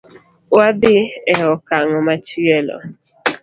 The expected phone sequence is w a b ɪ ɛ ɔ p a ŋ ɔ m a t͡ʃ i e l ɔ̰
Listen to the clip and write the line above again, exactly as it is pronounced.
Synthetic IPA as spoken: w a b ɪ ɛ ɔ k a ŋ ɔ m a t͡ʃ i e l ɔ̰